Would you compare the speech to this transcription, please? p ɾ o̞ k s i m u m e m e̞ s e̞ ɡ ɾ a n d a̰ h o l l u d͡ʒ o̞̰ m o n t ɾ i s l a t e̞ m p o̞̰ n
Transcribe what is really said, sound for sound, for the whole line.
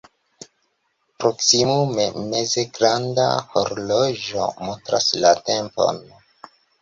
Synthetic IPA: p ɾ o̞ k s i m u m e m e̞ z e̞ ɡ ɾ a n d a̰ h o ɾ l o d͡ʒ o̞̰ m o n t ɾ a s l a t e̞ m p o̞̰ n